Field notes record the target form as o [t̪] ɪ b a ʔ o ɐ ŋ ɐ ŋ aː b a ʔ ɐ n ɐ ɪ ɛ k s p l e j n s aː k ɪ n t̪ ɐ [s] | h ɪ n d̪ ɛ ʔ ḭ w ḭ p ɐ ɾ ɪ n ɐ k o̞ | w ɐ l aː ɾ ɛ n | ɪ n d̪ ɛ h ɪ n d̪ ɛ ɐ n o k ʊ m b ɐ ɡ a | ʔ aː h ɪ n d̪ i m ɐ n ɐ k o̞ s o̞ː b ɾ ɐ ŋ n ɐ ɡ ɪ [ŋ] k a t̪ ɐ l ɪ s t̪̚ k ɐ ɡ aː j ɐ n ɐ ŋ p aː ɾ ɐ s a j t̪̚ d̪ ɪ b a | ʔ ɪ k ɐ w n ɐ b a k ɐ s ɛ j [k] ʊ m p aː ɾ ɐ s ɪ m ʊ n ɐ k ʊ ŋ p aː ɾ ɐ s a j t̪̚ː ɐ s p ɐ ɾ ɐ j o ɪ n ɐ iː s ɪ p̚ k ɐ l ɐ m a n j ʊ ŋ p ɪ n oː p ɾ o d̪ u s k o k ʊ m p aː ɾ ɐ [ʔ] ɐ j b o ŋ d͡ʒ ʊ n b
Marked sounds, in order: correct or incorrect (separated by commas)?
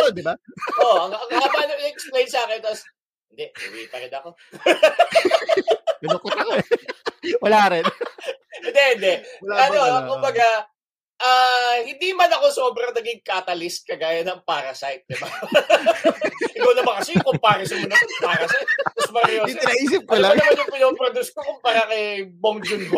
incorrect, correct, correct, correct, incorrect